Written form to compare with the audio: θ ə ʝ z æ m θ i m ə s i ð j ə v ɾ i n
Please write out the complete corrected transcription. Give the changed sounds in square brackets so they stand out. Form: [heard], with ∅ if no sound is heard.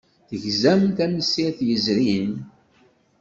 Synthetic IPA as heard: θ ə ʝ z æ m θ [æ] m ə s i [θ] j ə [z] ɾ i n